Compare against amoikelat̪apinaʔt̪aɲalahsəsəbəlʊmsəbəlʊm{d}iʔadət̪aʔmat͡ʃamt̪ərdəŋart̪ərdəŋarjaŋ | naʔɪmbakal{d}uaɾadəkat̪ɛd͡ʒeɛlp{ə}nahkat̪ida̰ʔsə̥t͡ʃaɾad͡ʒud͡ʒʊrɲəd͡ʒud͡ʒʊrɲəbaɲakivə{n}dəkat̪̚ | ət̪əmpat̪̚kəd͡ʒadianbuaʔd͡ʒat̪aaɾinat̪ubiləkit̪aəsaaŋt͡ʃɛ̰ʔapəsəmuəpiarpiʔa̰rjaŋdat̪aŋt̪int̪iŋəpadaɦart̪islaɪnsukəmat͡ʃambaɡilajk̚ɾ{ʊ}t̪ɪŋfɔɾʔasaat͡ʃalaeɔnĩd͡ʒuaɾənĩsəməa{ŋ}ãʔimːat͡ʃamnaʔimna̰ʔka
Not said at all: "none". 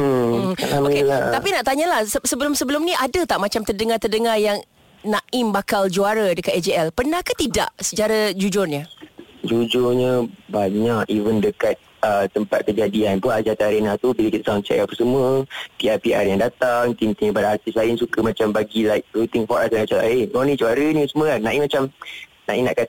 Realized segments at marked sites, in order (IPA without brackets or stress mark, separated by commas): n, d͡ʒ, ə, n, u, n